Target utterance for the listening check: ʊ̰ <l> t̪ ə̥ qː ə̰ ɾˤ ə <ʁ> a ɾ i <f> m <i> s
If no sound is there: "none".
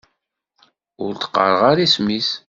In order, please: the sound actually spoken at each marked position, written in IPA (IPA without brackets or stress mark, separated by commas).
ɾ, ʁ, s, i